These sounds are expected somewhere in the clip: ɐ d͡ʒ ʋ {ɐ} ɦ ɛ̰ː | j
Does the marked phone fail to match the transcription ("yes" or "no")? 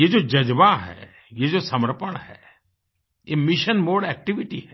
yes